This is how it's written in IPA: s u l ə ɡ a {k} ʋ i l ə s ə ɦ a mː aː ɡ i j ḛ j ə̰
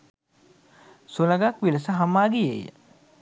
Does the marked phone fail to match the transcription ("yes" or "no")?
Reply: no